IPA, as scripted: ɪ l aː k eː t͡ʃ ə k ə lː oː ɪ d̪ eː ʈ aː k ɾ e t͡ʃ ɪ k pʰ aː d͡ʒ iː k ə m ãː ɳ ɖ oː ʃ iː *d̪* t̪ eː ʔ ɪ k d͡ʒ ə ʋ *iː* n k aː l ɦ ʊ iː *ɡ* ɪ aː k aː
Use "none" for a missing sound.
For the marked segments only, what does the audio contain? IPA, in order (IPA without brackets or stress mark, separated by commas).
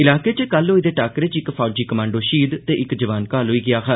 d̪, aː, ɡ